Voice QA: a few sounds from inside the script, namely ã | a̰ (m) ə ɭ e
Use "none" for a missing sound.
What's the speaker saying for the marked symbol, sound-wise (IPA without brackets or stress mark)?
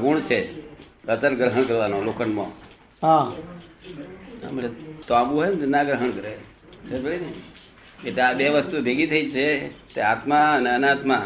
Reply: m